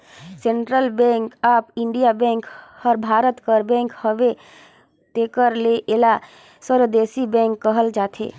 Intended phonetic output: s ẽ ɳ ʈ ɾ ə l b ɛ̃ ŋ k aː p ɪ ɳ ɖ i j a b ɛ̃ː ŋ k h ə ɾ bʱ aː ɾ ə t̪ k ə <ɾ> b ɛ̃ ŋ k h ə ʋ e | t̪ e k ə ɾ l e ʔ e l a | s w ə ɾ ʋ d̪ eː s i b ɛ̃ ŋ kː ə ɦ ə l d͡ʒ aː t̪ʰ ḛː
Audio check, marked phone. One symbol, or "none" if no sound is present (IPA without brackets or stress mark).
ɾ